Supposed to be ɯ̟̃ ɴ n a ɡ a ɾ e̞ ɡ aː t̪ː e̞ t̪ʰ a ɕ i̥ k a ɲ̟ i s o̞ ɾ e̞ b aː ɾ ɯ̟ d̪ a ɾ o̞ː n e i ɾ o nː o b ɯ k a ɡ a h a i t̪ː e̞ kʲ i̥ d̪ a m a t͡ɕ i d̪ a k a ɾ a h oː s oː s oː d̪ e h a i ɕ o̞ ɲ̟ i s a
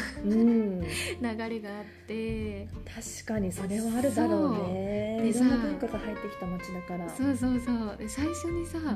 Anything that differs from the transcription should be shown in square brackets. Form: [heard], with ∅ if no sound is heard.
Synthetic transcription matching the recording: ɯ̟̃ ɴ n a ɡ a ɾ e̞ ɡ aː t̪ː e̞ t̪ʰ a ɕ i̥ k a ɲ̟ i s o̞ ɾ e̞ [β] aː ɾ ɯ̟ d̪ a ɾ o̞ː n e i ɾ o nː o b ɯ k a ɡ a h a i t̪ː e̞ kʲ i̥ [t̪] a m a t͡ɕ i d̪ a k a ɾ a [s] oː s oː s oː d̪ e [s] a i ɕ o̞ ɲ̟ i s a